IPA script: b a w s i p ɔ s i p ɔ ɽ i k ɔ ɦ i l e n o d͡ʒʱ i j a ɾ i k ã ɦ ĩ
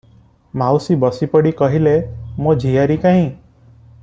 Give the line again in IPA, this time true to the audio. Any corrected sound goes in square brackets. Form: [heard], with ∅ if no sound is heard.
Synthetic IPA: [m] a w s i [b] ɔ s i p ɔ ɽ i k ɔ ɦ i l e [m] o d͡ʒʱ i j a ɾ i k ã ɦ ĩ